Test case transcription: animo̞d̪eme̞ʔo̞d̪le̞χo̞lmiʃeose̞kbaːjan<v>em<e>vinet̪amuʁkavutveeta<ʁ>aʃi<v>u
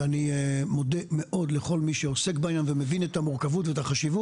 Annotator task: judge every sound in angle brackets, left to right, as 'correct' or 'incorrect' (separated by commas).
correct, correct, incorrect, correct